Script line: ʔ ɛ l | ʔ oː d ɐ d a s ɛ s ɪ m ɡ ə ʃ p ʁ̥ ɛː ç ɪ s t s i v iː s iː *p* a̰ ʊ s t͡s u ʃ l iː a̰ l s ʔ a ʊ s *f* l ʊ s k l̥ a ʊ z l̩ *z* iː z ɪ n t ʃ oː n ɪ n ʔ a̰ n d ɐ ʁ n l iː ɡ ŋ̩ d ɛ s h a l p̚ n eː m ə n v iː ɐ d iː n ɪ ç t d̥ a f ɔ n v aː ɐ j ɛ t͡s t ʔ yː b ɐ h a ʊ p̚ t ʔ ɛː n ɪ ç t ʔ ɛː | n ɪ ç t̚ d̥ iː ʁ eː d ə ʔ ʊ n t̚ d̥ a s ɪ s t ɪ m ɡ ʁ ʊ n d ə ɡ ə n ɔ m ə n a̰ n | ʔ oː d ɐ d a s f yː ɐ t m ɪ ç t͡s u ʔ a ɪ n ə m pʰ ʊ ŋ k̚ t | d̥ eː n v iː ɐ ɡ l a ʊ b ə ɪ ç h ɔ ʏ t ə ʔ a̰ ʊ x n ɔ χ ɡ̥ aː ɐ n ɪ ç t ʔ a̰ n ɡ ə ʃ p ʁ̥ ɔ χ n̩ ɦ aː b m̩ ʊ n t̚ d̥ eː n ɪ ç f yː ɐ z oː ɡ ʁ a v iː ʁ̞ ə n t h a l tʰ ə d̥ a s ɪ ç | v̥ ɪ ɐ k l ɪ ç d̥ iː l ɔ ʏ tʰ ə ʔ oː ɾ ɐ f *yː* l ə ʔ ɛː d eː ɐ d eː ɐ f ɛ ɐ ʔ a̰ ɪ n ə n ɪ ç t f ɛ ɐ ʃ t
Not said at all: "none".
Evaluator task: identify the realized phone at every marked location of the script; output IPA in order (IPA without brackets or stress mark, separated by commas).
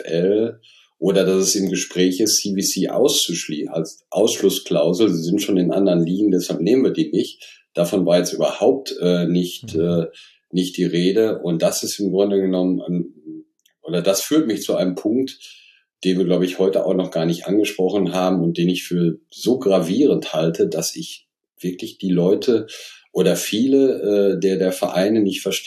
ʔ, ʃ, z, iː